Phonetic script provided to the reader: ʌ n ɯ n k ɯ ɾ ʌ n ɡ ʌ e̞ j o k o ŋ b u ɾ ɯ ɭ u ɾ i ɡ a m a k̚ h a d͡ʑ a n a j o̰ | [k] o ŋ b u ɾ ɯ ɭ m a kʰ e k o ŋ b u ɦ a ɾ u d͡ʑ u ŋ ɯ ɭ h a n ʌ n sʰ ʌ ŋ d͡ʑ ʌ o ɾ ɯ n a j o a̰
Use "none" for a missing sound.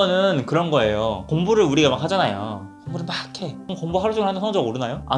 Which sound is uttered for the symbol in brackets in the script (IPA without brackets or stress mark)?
k